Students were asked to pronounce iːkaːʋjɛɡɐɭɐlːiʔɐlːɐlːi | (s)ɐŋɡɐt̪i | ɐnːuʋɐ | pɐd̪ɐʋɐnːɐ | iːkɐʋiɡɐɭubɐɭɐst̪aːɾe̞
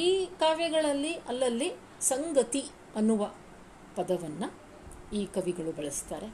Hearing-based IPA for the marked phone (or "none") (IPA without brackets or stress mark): s